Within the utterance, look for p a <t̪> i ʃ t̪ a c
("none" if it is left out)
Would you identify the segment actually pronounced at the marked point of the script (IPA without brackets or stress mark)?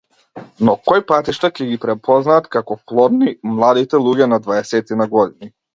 t̪